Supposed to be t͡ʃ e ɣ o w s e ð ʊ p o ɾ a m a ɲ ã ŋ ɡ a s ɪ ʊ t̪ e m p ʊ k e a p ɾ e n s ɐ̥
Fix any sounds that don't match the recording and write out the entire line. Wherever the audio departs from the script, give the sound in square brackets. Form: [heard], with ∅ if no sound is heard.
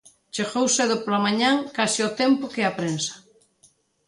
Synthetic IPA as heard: t͡ʃ e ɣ o w s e ð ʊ p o [l] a m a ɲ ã ŋ [k] a s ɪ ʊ t̪ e m p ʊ k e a p ɾ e n s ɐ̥